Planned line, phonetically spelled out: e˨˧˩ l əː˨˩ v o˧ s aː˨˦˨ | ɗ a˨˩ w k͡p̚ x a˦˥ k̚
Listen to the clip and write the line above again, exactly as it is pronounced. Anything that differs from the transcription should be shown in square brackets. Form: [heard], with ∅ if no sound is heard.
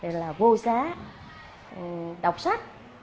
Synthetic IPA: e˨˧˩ l [aː˨˩] v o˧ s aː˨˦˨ | ɗ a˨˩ w k͡p̚ [s] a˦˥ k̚